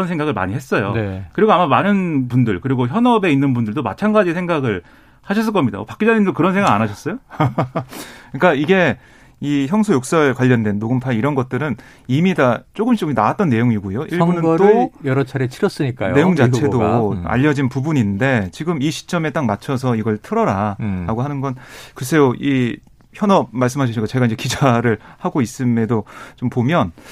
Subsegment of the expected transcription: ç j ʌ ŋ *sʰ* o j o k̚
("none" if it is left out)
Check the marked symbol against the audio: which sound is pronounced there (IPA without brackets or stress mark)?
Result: sʰ